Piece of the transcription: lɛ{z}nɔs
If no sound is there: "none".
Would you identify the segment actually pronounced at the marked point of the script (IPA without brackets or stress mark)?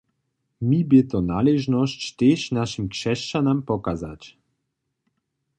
ʒ